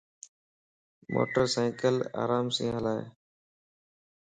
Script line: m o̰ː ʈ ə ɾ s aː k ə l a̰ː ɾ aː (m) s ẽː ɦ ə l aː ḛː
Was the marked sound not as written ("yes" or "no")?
no